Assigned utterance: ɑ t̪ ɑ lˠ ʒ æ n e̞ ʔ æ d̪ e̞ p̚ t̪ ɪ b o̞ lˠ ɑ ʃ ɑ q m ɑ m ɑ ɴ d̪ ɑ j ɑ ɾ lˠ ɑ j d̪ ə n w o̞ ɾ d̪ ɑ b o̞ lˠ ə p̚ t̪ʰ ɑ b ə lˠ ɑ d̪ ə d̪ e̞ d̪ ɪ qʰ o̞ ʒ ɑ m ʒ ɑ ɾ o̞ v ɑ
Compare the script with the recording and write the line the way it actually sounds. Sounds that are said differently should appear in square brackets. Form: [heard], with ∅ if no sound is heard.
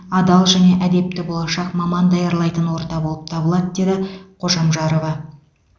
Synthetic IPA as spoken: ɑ [d̪] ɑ lˠ ʒ æ n e̞ ʔ æ d̪ e̞ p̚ t̪ ɪ b o̞ lˠ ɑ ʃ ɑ q m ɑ m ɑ [n] d̪ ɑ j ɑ ɾ lˠ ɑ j [t̪] ə n w o̞ ɾ [t̪] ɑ b o̞ lˠ ə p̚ t̪ʰ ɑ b ə lˠ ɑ d̪ ə d̪ e̞ d̪ ɪ qʰ o̞ ʒ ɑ m ʒ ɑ ɾ o̞ v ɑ